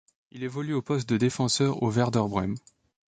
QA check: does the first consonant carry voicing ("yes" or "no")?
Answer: yes